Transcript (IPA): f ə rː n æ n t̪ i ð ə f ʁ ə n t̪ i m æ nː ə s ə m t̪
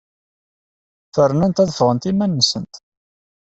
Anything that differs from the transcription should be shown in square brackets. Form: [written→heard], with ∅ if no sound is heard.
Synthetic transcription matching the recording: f ə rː n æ n t̪ [i→æ] ð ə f ʁ ə n t̪ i m æ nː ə s ə [m→n] t̪